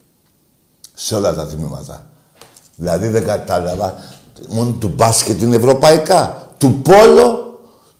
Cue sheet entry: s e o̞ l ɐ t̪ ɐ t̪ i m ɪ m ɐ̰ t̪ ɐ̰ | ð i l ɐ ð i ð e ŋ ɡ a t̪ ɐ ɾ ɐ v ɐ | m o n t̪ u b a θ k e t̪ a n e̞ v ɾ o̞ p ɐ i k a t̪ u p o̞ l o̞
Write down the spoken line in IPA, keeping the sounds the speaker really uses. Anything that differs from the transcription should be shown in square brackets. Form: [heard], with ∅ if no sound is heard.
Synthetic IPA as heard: s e o̞ l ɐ t̪ ɐ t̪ i m [i] m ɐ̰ t̪ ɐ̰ | ð i l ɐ ð i ð e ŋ ɡ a t̪ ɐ [l] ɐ v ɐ | m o n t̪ u b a [s] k e t̪ [i] n e̞ v ɾ o̞ p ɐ i k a t̪ u p o̞ l o̞